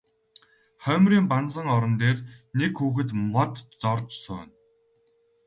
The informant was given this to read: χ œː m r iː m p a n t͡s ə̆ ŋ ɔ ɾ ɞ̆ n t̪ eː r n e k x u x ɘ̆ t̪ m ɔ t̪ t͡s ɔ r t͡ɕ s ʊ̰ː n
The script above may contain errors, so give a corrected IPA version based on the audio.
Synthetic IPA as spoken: χ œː m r iː m p a n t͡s ə̆ ŋ ɔ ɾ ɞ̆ n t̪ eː r n e k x uː x ɘ̆ t̪ m ɔ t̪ t͡s ɔ r t͡ɕ s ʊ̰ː n